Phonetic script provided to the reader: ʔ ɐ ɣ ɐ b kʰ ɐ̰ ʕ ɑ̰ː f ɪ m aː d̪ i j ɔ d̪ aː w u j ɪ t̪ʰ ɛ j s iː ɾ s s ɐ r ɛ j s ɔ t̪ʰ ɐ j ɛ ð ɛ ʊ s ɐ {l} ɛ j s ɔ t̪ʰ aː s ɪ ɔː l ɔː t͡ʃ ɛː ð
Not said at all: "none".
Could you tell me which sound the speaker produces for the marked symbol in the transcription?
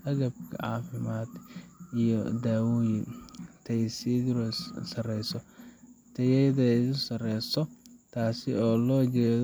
r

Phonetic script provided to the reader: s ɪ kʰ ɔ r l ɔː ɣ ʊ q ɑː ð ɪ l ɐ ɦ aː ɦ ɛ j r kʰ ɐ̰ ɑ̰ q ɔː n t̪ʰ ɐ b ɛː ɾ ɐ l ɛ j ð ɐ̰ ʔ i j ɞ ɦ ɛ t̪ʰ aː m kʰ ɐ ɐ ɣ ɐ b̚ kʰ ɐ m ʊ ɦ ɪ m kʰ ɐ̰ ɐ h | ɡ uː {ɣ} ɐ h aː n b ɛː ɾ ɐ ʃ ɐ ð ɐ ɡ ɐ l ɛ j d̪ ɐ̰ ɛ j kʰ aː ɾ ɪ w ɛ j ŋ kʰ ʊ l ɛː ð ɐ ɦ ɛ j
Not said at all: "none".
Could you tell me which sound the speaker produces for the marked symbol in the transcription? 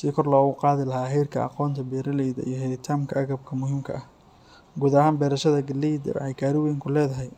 ð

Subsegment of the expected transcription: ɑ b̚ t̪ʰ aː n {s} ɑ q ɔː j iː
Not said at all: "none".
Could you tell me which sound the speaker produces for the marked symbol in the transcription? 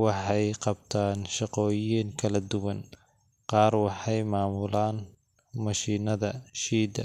ʃ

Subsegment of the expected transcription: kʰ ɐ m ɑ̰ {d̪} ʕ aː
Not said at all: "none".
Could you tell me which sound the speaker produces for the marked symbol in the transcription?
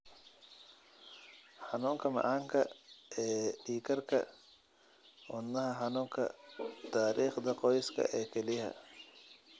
none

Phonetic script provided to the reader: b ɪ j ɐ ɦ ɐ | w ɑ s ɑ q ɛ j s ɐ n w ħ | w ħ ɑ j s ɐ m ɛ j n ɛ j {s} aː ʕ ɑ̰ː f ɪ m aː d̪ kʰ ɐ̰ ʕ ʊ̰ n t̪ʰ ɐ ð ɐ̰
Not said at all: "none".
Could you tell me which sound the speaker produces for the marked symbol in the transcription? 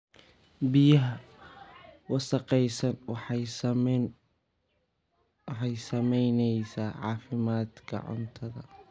s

